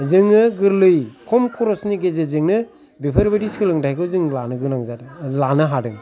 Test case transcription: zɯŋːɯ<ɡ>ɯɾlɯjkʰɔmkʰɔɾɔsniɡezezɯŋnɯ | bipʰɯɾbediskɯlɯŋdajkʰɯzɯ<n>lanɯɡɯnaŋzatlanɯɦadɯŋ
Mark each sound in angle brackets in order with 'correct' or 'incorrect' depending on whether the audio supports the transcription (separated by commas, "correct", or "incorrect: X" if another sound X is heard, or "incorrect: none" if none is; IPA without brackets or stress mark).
correct, incorrect: ŋ